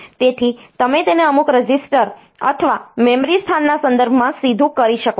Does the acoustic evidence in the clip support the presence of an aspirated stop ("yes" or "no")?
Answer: yes